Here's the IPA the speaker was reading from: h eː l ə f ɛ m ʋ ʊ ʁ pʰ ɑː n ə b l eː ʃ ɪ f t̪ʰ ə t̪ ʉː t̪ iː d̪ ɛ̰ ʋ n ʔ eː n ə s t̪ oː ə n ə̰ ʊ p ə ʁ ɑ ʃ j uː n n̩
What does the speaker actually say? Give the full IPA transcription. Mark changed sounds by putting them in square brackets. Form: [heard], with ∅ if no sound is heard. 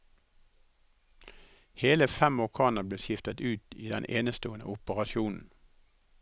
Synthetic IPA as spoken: h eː l ə f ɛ m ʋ ʊ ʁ [kʰ] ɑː n ə b l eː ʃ ɪ f [t̪] ə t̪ ʉː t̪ iː d̪ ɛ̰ [∅] n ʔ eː n ə s t̪ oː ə n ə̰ ʊ p ə ʁ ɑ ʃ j uː n n̩